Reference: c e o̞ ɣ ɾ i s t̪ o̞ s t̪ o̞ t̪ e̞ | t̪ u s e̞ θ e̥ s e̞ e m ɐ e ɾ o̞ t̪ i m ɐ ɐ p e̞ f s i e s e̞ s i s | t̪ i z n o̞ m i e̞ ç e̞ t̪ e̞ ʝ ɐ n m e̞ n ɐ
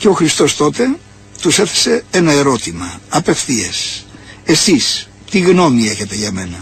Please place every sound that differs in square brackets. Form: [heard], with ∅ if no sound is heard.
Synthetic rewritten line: c e o̞ [x] ɾ i s t̪ o̞ s t̪ o̞ t̪ e̞ | t̪ u s e̞ θ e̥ s e̞ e [n] ɐ e ɾ o̞ t̪ i m ɐ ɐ p e̞ f [θ] i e s e̞ s i s | t̪ i [ɣ] n o̞ m i e̞ ç e̞ t̪ e̞ ʝ ɐ [∅] m e̞ n ɐ